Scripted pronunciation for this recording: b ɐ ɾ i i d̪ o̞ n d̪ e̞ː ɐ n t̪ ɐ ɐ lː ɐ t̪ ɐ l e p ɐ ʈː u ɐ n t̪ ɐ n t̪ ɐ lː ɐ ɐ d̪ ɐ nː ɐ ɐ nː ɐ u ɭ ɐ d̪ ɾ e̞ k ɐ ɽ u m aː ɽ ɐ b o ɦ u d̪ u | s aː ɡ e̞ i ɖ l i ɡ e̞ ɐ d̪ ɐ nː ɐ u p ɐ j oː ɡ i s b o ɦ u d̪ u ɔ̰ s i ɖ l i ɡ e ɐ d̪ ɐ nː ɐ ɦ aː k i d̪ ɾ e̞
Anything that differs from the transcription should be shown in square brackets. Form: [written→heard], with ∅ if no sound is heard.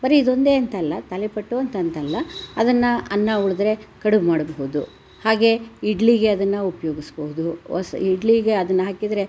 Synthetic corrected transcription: b ɐ ɾ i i d̪ o̞ n d̪ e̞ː ɐ n t̪ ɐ ɐ lː ɐ t̪ ɐ l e p ɐ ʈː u ɐ n t̪ ɐ n t̪ ɐ lː ɐ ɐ d̪ ɐ nː ɐ ɐ nː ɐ u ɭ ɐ d̪ ɾ e̞ k ɐ ɽ u m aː ɽ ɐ b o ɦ u d̪ u | [s→h] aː ɡ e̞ i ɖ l i ɡ e̞ ɐ d̪ ɐ nː ɐ u p ɐ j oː ɡ i s b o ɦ u d̪ u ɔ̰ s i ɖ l i ɡ e ɐ d̪ ɐ nː ɐ ɦ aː k i d̪ ɾ e̞